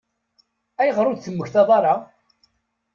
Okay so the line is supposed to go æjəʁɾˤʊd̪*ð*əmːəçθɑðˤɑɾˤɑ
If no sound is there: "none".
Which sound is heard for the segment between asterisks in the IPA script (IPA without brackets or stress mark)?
θ